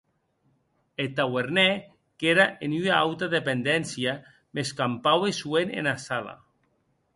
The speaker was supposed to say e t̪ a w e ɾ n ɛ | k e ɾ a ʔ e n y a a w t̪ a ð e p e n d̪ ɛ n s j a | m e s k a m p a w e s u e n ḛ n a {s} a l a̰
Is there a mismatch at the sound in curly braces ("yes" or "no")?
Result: no